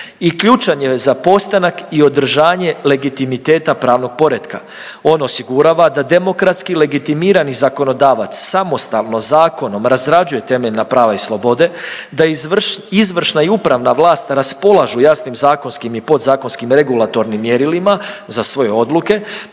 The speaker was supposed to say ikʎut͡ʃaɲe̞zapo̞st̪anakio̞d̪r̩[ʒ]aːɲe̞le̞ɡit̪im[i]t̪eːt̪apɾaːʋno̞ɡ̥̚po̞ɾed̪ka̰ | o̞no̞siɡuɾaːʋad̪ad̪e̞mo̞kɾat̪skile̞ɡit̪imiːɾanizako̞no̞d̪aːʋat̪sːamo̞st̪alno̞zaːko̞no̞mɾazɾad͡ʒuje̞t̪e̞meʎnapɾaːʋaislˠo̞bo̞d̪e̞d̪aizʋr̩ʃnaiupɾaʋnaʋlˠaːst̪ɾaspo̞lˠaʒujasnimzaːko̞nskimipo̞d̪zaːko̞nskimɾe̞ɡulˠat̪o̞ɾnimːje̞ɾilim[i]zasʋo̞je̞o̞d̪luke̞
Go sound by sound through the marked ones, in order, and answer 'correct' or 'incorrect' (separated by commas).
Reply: correct, correct, incorrect